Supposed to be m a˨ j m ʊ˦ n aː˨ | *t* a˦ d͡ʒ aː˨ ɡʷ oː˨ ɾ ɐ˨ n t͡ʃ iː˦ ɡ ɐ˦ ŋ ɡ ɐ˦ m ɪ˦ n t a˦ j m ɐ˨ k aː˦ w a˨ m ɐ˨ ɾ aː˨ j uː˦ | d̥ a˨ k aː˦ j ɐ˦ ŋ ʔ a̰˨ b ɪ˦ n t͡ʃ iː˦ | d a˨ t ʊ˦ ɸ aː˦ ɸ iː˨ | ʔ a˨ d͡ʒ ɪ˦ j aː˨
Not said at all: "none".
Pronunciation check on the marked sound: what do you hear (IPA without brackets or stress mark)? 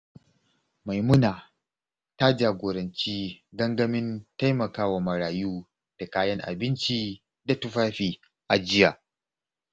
t